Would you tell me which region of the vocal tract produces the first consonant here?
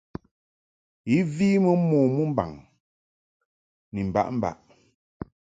lips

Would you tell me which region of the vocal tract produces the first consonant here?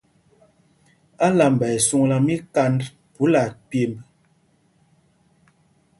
tongue tip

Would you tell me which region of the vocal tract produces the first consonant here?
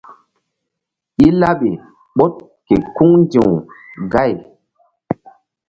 tongue tip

